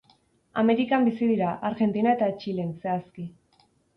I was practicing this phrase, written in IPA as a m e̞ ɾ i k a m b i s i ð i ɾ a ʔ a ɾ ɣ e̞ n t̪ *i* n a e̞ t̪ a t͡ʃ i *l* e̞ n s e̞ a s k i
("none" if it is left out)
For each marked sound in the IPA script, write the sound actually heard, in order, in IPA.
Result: i, l

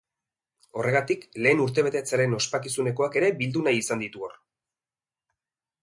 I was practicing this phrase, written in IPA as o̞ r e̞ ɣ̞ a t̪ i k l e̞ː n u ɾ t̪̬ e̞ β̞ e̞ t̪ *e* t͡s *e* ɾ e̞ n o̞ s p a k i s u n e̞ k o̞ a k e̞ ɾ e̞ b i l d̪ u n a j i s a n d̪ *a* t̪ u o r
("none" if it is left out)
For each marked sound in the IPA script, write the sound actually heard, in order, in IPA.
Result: e, a, i

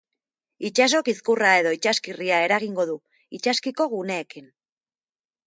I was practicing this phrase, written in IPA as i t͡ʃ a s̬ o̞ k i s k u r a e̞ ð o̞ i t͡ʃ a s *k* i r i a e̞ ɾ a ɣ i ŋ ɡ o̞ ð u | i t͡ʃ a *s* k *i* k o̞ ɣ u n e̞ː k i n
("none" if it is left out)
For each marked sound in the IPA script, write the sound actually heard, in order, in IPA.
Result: k, s, i

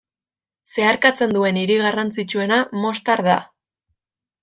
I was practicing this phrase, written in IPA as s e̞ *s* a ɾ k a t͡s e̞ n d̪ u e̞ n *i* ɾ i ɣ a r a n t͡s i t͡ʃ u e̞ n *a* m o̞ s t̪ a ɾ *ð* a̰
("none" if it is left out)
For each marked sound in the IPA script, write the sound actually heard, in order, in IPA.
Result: none, i, a, ð

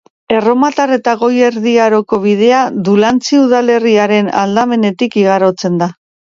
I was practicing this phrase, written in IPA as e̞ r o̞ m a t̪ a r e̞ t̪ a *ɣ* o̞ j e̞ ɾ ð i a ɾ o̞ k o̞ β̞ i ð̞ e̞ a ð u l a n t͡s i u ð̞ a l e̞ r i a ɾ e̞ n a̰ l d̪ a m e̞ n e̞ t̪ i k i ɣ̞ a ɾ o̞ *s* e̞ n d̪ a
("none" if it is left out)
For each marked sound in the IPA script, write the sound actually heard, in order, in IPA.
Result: ɣ, t͡s

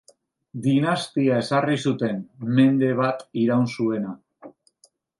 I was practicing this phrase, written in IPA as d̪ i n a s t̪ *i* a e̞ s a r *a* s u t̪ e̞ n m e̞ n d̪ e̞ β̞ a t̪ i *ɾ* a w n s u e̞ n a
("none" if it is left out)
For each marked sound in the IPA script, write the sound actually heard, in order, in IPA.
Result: i, i, ɾ

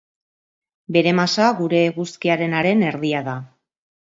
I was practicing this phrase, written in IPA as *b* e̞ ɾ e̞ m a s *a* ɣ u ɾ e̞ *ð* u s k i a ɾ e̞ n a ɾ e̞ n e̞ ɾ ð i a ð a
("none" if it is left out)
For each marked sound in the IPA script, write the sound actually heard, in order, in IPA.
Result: b, a, ɣ

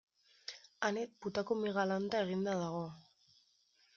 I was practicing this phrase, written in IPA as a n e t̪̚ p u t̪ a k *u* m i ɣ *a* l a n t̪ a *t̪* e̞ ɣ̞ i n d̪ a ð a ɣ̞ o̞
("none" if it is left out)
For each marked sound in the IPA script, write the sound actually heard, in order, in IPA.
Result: o, a, none

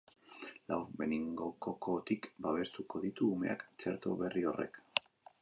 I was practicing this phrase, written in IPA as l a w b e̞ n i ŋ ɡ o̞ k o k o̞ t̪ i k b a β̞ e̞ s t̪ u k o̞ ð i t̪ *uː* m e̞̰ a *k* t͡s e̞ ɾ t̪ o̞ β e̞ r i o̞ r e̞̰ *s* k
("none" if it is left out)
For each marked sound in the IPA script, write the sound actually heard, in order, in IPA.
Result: uː, k, none

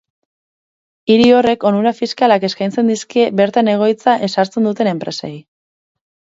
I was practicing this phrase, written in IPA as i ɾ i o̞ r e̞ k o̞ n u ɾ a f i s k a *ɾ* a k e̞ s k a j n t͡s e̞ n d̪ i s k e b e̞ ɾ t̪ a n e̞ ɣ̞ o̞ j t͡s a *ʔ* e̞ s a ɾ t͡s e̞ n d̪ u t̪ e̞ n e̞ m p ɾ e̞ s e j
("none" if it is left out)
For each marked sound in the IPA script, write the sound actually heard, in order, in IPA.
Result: l, ʔ

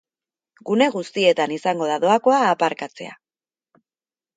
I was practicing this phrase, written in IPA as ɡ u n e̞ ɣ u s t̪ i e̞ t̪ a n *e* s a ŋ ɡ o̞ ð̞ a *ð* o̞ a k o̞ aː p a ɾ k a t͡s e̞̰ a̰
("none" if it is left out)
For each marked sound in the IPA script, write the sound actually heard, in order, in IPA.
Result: i, ð

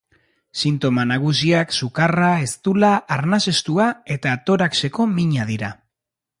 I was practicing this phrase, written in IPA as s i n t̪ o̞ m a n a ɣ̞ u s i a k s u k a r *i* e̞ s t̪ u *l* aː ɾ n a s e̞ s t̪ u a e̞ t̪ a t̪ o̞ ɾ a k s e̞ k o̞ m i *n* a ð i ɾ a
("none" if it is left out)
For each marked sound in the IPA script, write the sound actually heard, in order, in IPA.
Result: a, l, ɲ

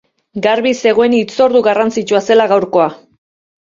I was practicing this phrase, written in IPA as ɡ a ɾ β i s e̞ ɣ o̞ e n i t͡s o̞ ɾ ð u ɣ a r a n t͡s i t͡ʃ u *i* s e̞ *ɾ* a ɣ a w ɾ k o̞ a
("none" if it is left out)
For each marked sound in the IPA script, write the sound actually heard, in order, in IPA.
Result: a, l

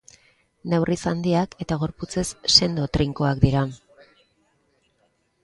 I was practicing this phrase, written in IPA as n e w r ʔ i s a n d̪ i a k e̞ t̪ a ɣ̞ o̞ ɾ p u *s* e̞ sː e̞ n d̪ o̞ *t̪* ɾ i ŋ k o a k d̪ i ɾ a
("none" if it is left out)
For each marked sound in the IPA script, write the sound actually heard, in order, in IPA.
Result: t͡s, t̪

